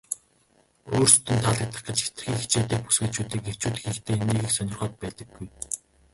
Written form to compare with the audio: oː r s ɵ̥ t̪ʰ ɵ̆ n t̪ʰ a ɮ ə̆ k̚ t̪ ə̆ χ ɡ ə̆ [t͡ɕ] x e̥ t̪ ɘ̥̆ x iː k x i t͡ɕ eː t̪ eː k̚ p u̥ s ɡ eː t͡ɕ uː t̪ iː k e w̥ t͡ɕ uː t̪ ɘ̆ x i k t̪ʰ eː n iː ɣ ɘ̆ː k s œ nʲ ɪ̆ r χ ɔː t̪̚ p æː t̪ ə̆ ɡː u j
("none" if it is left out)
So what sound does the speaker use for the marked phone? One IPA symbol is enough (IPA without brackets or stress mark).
t͡ɕ